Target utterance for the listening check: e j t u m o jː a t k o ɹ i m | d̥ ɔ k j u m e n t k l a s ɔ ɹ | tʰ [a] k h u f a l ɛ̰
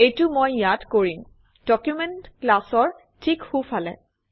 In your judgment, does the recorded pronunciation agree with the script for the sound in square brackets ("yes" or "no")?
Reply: no